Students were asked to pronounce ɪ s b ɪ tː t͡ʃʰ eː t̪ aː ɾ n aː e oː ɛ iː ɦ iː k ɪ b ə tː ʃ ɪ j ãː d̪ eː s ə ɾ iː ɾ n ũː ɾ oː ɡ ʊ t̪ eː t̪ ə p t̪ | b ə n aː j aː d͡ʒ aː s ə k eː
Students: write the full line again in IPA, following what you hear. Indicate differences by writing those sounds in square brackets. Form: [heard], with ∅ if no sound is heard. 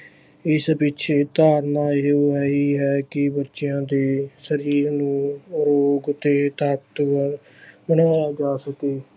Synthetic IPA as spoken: ɪ s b ɪ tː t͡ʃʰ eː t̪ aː ɾ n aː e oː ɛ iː ɦ [ɛː] k ɪ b ə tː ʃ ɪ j ãː d̪ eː s ə ɾ iː ɾ n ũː ɾ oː ɡ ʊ t̪ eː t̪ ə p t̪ | b ə n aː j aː d͡ʒ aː s ə k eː